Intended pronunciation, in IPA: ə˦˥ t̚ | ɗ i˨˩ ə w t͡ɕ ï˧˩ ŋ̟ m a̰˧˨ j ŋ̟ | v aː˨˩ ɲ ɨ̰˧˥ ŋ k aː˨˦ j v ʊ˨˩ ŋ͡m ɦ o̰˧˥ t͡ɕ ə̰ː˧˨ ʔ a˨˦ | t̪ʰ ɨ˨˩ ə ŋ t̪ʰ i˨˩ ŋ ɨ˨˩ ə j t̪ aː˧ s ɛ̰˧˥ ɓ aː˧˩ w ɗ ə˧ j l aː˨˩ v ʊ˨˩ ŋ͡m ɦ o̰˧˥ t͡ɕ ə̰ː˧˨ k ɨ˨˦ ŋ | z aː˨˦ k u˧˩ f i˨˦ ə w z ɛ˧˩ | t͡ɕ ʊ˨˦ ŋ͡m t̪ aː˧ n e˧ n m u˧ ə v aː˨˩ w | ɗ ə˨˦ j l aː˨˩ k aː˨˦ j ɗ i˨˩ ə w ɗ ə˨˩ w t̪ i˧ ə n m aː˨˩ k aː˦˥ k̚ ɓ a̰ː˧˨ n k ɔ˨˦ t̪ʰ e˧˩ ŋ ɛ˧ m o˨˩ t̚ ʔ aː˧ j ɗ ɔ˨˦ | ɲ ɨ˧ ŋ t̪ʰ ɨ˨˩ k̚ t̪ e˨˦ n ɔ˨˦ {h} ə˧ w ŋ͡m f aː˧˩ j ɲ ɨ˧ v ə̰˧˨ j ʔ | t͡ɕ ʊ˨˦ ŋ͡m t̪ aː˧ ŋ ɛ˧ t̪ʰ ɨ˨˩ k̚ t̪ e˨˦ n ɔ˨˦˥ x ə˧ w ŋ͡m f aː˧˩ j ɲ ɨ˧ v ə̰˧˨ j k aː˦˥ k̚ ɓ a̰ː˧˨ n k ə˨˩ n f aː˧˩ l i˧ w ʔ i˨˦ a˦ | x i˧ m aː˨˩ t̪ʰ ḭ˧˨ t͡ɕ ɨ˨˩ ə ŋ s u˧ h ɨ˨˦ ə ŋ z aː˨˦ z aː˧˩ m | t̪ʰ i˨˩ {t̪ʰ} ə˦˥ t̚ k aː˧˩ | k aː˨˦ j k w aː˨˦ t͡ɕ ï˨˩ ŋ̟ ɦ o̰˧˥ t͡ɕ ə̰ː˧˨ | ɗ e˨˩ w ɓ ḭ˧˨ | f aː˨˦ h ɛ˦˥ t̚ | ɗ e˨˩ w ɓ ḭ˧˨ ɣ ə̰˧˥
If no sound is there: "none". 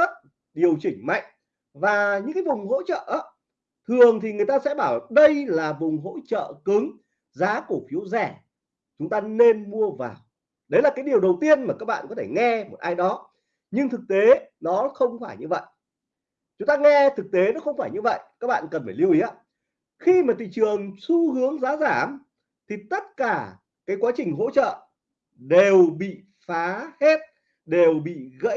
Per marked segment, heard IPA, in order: x, t̪

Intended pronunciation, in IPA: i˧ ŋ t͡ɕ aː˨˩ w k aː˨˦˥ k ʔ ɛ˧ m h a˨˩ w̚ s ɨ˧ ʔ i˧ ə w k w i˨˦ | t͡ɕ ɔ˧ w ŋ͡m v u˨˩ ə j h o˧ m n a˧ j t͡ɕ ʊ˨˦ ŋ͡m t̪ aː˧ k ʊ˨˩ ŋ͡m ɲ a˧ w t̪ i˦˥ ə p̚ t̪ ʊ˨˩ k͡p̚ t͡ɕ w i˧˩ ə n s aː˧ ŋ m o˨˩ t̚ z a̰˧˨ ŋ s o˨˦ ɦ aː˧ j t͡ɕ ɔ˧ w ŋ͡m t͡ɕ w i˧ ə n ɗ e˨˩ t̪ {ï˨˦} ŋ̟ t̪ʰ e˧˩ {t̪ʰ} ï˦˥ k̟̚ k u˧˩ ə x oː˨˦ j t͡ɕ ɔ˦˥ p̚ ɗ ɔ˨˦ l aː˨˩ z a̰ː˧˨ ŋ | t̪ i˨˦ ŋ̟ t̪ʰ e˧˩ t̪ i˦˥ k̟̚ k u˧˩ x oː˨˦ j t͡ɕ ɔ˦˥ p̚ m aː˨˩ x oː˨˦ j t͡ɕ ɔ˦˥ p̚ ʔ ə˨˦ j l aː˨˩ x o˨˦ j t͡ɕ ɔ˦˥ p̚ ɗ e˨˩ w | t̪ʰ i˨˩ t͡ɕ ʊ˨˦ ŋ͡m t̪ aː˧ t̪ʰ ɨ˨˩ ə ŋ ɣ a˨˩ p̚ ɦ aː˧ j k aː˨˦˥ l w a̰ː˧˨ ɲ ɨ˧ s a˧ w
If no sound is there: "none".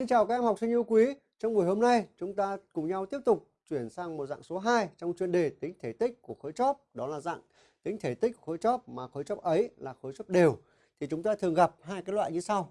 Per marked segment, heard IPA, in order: ï˨˦, t̪

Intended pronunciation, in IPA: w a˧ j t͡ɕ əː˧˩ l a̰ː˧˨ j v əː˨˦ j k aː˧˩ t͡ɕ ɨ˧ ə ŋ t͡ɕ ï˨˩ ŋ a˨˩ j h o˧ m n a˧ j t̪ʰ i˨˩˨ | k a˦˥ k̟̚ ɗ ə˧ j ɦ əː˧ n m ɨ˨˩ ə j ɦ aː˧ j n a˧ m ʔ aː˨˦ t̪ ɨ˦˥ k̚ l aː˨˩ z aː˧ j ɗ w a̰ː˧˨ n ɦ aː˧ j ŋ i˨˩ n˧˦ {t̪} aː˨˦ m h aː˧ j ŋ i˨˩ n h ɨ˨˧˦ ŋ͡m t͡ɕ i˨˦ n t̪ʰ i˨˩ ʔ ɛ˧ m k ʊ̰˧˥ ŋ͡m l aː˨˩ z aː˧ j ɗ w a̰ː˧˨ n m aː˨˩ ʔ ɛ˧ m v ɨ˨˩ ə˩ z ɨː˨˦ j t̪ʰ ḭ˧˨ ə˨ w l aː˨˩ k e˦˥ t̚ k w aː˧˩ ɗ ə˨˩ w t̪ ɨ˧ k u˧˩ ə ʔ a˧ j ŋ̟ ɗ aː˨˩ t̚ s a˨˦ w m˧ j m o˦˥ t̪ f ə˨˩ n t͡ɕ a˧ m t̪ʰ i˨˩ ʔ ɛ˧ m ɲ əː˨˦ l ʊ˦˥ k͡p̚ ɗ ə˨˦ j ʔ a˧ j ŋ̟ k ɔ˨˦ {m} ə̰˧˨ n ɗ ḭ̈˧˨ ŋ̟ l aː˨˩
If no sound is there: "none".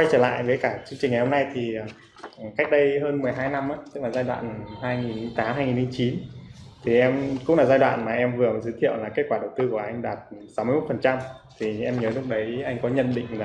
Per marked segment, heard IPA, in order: t̪, ɲ

